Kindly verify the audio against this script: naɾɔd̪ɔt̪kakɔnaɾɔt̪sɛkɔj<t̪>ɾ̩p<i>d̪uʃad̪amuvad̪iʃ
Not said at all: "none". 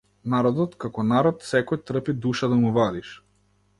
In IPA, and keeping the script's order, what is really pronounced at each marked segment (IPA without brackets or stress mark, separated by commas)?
t̪, i